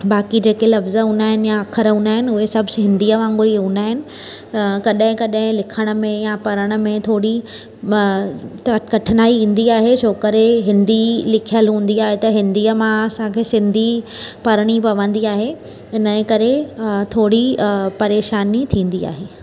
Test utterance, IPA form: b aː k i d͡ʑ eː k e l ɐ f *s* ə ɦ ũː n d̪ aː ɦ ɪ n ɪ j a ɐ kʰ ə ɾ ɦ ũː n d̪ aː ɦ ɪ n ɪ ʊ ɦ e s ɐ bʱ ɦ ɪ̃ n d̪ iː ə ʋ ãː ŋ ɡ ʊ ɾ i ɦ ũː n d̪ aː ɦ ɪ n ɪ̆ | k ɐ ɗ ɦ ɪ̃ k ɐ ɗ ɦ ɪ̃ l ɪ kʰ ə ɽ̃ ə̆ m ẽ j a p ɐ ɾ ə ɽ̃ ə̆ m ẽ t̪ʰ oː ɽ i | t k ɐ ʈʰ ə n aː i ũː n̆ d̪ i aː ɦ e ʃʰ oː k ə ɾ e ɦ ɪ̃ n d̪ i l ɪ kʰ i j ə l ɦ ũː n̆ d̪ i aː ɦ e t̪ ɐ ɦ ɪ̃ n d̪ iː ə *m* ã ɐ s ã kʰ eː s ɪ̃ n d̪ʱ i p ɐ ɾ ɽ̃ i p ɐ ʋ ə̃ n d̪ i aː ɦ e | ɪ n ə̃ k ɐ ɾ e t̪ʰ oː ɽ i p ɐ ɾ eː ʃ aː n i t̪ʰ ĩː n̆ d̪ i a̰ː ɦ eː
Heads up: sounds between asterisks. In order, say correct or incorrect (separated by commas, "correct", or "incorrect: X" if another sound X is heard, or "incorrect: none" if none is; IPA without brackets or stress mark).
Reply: incorrect: z, correct